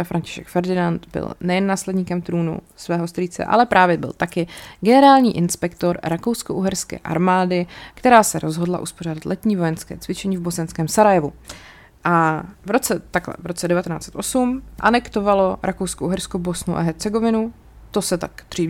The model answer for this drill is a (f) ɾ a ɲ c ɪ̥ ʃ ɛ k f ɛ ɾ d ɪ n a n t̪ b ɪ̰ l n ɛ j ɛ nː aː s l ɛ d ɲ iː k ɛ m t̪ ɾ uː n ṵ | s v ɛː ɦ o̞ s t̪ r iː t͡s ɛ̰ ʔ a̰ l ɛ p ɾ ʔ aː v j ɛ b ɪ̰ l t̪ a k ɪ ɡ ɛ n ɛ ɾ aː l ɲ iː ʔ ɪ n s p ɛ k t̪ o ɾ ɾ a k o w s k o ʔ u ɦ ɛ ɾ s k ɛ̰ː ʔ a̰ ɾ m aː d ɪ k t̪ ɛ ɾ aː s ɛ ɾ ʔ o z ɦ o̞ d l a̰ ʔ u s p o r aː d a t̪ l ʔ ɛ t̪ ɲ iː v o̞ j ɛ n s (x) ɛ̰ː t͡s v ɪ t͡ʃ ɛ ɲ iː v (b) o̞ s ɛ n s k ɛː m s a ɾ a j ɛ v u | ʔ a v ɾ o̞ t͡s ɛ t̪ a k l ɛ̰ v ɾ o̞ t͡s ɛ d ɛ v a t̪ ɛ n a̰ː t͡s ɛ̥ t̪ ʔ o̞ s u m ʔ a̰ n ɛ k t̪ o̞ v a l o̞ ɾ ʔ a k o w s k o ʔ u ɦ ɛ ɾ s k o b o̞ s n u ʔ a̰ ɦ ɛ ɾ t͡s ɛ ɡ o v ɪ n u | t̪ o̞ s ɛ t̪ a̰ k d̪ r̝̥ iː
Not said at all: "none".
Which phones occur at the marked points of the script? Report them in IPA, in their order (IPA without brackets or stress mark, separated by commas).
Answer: f, k, b